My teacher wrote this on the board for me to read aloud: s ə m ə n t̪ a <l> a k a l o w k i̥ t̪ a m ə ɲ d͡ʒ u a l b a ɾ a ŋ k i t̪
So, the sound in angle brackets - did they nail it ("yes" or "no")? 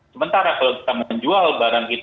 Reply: no